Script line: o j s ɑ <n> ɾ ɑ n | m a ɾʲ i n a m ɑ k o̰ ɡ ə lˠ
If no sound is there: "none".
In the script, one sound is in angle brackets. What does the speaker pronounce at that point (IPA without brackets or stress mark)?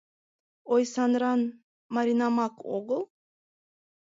n